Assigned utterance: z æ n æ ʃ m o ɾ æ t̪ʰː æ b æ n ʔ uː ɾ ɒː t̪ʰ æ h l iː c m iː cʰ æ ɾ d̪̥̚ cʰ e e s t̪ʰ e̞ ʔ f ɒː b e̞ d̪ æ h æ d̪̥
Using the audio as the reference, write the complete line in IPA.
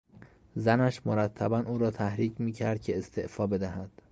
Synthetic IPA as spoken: z æ n æ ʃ m o ɾ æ t̪ʰː æ b æ n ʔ uː ɾ ɒː t̪ʰ æ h ɾ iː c m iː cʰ æ ɾ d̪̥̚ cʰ e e s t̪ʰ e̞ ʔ f ɒː b e̞ d̪ æ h æ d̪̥